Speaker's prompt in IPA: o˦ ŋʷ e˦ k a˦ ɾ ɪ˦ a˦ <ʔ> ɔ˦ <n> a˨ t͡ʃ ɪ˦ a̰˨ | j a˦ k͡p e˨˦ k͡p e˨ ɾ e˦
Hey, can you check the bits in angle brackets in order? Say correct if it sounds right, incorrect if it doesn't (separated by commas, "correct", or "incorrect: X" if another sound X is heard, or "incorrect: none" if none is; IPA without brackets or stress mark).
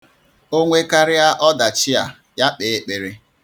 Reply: correct, incorrect: d